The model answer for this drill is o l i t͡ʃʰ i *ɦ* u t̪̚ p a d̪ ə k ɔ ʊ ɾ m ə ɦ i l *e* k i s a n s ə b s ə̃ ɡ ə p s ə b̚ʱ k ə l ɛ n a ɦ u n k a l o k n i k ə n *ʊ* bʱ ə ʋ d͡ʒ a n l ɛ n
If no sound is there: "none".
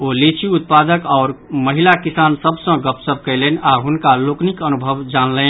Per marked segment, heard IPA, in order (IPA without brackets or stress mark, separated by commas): none, a, u